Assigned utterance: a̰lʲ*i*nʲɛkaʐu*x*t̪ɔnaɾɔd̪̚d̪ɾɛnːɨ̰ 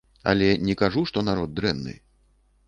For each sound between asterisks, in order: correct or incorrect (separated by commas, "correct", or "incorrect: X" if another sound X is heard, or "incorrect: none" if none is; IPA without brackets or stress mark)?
incorrect: ɛ, incorrect: ʂ